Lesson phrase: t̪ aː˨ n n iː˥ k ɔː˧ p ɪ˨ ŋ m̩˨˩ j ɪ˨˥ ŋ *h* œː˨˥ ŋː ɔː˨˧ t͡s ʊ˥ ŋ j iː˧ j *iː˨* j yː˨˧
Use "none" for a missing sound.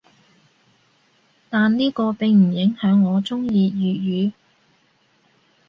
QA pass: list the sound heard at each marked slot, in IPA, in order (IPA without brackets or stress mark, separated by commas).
h, yː˨